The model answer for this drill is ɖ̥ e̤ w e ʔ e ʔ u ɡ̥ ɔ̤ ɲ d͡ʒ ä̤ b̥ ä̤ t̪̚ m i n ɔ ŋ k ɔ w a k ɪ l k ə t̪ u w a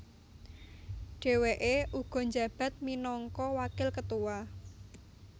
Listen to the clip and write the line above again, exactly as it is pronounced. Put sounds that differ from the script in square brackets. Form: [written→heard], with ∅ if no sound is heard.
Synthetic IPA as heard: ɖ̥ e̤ w e ʔ e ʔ u ɡ̥ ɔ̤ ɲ d͡ʒ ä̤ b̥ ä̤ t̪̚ m i n ɔ ŋ k ɔ w a k ɪ l k ə t̪ u w a